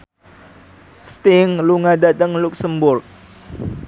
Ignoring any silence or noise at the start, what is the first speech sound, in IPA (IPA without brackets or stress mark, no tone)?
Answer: s